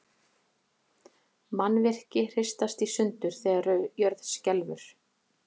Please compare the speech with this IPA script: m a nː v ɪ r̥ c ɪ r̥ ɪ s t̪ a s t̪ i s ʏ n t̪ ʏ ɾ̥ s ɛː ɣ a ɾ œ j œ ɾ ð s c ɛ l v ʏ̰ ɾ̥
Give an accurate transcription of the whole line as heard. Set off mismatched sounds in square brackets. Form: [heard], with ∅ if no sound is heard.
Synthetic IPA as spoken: m a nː v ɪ r̥ c ɪ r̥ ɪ s t̪ a s t̪ i s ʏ n t̪ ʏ ɾ̥ [θ] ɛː ɣ a ɾ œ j œ ɾ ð s c ɛ l v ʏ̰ ɾ̥